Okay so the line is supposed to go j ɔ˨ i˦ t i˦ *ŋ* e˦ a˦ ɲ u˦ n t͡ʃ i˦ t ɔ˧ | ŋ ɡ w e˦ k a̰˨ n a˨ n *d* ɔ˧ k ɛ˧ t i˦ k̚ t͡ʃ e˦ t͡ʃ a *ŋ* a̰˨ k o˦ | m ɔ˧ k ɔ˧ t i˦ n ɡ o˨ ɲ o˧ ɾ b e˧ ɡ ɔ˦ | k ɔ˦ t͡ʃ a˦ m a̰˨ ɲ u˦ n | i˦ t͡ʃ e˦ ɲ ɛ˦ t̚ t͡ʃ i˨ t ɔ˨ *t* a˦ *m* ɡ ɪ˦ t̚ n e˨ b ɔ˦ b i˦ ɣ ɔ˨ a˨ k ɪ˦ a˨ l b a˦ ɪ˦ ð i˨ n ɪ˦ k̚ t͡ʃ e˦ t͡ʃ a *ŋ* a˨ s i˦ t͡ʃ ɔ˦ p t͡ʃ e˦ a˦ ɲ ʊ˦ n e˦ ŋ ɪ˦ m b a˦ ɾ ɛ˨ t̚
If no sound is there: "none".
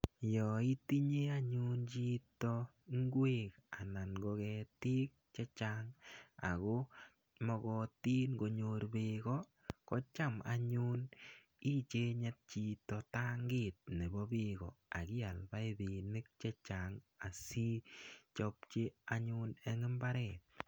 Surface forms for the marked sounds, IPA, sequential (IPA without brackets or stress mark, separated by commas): ɲ, ɡ, ŋ, t, ŋ, ŋ